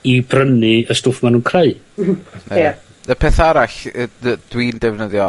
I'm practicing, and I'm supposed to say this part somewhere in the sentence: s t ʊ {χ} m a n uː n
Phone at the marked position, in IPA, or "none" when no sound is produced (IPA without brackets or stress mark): f